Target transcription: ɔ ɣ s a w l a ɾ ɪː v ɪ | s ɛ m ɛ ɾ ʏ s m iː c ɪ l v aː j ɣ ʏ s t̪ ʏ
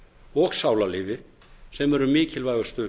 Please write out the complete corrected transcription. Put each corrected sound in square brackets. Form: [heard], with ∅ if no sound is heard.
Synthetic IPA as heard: ɔ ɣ s a w l a [l] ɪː v ɪ | s ɛ m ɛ ɾ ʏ [∅] m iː c ɪ l v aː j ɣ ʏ s t̪ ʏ